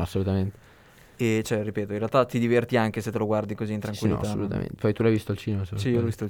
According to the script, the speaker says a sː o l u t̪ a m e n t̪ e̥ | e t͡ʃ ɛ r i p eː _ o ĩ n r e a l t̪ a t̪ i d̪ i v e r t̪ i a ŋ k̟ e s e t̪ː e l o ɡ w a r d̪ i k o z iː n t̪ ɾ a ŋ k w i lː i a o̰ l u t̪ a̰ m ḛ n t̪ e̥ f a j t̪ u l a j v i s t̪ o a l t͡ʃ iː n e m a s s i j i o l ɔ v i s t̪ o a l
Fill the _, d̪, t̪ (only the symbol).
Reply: t̪